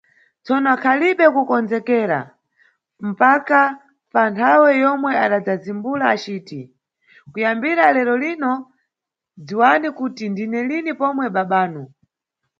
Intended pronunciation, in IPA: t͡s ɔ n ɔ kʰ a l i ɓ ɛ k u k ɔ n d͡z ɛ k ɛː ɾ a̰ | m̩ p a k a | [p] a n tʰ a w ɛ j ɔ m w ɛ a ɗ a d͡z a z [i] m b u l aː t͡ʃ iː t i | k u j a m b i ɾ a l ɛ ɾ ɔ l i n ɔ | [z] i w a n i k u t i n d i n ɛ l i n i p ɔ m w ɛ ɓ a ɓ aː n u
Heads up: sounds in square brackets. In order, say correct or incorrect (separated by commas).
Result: correct, correct, incorrect